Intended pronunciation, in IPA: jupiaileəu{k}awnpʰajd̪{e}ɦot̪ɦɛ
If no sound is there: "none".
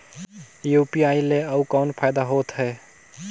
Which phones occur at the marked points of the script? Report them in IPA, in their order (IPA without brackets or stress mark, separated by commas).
k, a